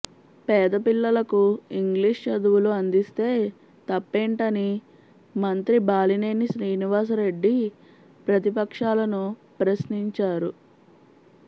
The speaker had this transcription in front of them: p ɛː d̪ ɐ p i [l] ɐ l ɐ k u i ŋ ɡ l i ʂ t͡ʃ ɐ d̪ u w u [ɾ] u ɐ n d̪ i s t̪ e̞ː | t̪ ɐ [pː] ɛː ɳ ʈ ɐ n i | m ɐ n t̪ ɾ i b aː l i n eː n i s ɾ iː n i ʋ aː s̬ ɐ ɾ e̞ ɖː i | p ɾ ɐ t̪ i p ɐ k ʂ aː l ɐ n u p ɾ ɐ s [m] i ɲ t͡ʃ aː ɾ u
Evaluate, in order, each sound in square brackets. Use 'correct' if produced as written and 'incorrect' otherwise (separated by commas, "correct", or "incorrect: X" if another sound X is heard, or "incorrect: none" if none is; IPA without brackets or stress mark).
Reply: incorrect: lː, incorrect: l, correct, incorrect: n